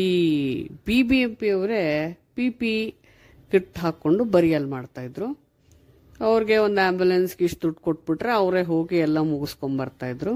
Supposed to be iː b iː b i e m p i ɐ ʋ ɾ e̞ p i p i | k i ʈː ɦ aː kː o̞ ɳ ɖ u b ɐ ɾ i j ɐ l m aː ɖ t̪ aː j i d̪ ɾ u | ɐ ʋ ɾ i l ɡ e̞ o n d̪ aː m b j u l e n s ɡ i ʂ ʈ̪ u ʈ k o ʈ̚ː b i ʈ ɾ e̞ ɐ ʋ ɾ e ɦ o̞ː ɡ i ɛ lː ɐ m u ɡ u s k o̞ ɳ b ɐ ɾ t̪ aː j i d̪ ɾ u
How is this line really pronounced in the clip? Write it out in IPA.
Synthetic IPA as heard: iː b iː b i e m p i ɐ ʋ ɾ e̞ p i p i | k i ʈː ɦ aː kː o̞ ɳ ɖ u b ɐ ɾ i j ɐ l m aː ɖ t̪ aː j i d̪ ɾ u | ɐ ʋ ɾ i ɡ e̞ o n d̪ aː m b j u l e n s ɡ i ʂ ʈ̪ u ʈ k o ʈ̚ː b i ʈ ɾ e̞ ɐ ʋ ɾ e ɦ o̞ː ɡ i ɛ lː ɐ m u ɡ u s k o̞ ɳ b ɐ ɾ t̪ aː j i d̪ ɾ u